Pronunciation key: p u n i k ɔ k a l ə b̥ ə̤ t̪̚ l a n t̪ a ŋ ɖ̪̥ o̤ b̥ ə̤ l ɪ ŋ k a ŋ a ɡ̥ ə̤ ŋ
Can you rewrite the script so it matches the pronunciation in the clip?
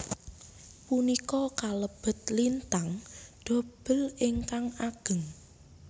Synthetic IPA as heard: p u n i k ɔ k a l ə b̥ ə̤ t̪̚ l i n t̪ a ŋ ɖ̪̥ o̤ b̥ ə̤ l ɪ ŋ k a ŋ a ɡ̥ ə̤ ŋ

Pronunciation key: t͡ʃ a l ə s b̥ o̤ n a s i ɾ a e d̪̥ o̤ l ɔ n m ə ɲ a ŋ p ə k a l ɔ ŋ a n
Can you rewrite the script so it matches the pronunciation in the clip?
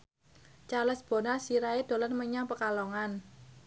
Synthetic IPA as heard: t͡ʃ a l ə s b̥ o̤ n a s i ɾ a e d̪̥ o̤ l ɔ n m ə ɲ a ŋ p ə k a l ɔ ŋ a n

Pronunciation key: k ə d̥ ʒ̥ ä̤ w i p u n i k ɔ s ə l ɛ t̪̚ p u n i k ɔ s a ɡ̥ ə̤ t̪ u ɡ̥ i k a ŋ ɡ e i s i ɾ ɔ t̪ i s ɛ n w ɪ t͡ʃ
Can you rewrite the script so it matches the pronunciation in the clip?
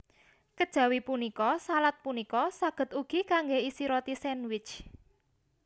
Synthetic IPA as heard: k ə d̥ ʒ̥ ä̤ w i p u n i k ɔ s a l a t̪̚ p u n i k ɔ s a ɡ̥ ə̤ t̪ u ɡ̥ i k a ŋ ɡ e i s i ɾ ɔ t̪ i s ɛ n w ɪ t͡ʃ

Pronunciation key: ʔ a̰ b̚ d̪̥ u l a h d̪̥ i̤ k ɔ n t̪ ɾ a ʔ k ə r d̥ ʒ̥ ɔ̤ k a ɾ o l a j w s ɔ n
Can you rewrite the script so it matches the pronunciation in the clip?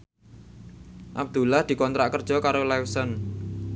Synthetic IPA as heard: ʔ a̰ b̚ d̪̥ u l a h d̪̥ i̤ k ɔ n t̪ ɾ a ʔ k ə r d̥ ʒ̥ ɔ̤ k a ɾ o l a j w s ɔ n

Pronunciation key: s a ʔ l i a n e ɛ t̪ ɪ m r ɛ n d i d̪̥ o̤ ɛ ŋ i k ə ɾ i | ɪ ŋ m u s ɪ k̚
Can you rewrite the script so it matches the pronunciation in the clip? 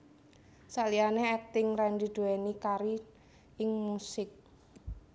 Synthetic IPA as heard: s a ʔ l i a n e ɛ t̪ ɪ ŋ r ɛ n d i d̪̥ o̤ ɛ n i k a ɾ i | ɪ ŋ m u s ɪ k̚

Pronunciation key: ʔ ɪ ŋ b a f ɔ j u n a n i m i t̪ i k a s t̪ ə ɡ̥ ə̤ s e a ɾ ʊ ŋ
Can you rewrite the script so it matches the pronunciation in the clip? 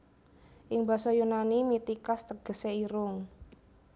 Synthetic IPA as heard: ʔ ɪ ŋ b a s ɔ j u n a n i m i t̪ i k a s t̪ ə ɡ̥ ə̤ s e i ɾ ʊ ŋ

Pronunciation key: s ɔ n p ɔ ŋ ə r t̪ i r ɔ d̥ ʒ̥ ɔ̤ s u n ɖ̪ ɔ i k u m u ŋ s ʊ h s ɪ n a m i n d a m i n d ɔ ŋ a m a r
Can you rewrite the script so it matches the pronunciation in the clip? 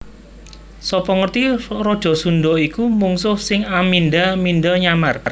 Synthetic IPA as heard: s ɔ p ɔ ŋ ə r t̪ i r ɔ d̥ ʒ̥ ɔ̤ s u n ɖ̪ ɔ i k u m u ŋ s ʊ h s ɪ ŋ a m i n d a m i n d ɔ ɲ a m a r

